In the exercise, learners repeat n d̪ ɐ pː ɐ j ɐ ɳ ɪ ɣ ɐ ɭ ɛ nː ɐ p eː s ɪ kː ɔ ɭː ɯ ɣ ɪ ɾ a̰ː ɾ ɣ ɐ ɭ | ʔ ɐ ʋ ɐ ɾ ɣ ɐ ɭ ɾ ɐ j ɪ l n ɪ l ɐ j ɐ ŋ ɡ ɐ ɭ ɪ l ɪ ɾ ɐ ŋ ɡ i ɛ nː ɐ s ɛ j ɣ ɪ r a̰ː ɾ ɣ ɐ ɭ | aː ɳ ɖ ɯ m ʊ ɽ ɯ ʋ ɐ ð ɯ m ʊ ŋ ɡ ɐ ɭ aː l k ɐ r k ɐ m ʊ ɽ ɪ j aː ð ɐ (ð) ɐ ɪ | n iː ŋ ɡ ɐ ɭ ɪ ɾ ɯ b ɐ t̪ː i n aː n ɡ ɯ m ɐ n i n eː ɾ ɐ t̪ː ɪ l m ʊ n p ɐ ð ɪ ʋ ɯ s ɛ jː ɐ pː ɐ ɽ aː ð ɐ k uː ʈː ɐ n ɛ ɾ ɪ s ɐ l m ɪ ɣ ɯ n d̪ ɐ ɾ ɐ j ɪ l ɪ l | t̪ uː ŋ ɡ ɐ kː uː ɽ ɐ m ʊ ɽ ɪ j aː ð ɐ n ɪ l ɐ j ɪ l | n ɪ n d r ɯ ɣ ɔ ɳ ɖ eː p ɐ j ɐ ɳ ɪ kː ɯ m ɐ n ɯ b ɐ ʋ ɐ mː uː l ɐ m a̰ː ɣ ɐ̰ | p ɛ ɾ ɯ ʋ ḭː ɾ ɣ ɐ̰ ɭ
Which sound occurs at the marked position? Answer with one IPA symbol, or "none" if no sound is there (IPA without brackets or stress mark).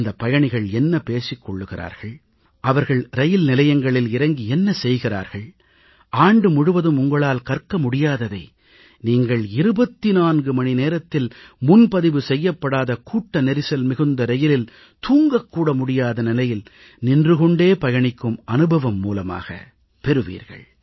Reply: ð